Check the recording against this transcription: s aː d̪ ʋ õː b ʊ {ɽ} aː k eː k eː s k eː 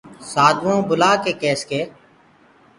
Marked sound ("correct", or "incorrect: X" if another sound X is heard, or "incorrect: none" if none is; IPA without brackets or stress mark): incorrect: l